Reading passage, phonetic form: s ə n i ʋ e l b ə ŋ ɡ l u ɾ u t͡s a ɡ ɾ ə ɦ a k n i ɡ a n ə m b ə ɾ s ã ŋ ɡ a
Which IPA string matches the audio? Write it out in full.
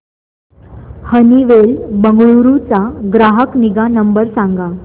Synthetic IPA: h ə n i ʋ e l b ə ŋ ɡ ɭ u ɾ u t͡s a ɡ ɾ a ɦ ə k n i ɡ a n ə m b ə ɾ s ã ŋ ɡ a